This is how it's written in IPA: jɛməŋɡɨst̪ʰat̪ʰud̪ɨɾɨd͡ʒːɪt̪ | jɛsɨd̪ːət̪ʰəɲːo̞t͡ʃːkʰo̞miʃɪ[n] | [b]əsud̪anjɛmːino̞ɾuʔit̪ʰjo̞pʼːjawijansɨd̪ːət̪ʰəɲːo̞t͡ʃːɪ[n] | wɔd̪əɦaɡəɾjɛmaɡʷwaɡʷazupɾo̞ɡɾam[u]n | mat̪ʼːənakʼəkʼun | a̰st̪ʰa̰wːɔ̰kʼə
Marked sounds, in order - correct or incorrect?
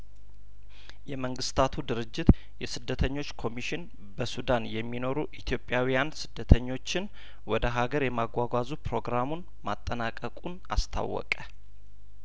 correct, correct, correct, correct

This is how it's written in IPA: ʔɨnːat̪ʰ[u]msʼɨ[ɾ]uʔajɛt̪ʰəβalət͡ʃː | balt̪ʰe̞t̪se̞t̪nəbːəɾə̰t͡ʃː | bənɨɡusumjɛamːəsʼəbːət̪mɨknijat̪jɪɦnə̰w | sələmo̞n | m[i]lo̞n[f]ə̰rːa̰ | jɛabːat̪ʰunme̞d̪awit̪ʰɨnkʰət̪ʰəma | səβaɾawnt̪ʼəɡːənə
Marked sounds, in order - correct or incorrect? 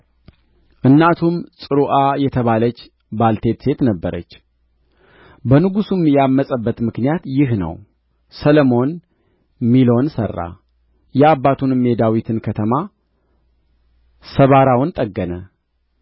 correct, correct, correct, incorrect

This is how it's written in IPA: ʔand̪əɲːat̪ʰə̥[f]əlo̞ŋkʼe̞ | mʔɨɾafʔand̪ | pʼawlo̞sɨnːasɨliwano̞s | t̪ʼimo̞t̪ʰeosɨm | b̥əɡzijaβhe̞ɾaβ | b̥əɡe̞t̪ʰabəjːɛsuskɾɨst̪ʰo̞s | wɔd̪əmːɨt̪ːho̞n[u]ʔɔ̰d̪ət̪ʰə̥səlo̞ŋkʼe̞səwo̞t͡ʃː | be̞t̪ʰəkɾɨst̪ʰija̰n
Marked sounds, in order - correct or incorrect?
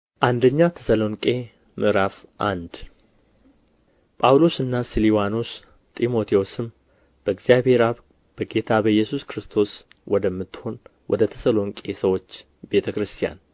incorrect, incorrect

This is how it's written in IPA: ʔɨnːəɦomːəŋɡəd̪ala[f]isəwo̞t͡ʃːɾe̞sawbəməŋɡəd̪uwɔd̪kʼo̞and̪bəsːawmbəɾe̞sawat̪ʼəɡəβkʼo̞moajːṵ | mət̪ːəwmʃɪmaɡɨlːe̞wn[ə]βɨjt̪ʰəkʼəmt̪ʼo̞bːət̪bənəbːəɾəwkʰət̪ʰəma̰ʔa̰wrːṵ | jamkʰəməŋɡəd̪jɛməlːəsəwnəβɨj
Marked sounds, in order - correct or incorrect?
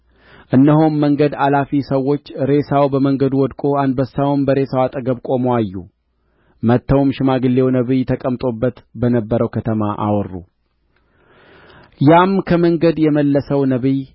correct, correct

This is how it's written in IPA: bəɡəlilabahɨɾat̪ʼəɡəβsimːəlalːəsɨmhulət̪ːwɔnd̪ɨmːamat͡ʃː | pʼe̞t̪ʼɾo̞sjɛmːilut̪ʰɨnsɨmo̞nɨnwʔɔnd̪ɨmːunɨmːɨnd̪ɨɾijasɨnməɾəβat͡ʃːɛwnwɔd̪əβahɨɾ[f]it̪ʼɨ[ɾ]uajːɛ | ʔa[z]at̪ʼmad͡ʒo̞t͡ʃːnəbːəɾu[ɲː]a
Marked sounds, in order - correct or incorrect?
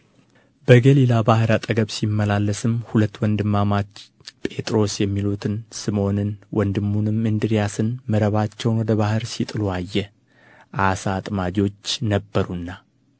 incorrect, incorrect, incorrect, incorrect

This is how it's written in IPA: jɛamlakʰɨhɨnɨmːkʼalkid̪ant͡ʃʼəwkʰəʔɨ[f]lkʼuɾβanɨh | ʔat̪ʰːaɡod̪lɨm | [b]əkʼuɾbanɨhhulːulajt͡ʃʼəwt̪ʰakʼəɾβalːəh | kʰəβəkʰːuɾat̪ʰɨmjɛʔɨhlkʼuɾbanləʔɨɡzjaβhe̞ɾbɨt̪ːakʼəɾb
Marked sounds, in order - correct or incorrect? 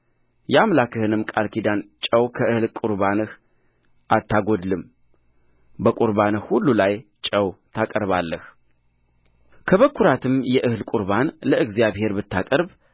incorrect, correct

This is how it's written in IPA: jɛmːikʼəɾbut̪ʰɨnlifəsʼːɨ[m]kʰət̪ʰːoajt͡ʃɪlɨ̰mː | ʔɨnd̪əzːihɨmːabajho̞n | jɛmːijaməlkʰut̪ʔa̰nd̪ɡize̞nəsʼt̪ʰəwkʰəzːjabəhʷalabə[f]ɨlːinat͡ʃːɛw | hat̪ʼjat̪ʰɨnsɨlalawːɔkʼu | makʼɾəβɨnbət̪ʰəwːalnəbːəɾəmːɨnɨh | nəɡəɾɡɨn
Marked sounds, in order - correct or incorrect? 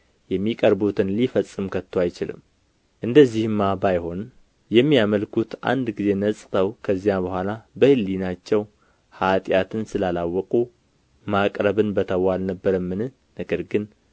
correct, incorrect

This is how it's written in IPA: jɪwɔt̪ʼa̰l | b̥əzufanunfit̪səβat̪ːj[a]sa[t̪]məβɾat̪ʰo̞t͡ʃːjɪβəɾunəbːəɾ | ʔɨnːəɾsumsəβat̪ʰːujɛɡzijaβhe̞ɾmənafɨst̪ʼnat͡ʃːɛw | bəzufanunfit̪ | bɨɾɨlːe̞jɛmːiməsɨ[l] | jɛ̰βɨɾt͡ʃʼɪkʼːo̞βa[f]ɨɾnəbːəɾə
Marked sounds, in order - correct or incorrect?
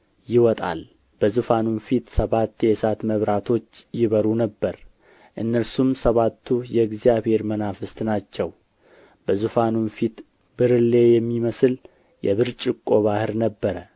incorrect, correct, correct, incorrect

